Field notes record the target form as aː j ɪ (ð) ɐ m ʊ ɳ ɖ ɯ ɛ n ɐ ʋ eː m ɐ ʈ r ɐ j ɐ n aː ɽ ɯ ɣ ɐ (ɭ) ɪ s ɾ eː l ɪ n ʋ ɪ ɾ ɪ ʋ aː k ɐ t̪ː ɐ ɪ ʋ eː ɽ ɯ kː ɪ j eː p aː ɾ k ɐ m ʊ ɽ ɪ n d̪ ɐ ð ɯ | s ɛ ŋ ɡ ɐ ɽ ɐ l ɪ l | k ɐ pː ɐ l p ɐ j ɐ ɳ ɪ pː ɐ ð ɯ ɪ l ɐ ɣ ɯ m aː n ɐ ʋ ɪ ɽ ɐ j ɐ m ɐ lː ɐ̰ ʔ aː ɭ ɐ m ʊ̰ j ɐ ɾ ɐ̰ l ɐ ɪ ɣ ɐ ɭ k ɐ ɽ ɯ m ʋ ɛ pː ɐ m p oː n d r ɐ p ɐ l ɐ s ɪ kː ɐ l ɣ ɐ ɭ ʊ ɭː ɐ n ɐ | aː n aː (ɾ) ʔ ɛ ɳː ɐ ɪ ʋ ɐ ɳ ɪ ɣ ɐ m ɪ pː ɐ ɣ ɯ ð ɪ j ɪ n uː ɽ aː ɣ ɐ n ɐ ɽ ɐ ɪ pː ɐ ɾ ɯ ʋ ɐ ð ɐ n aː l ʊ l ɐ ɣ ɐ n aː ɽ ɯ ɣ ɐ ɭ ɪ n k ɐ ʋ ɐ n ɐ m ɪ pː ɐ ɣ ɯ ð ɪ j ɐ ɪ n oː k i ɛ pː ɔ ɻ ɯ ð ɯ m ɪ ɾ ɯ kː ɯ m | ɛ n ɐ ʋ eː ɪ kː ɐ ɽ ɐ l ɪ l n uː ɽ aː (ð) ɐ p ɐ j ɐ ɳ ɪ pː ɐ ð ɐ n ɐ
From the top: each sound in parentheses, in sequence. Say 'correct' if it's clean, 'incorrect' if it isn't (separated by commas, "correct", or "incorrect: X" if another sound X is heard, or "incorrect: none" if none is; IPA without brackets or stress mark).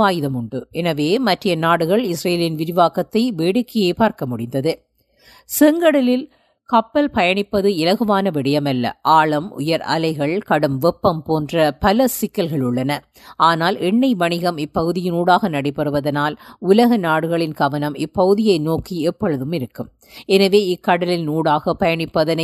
correct, correct, incorrect: l, incorrect: ɣ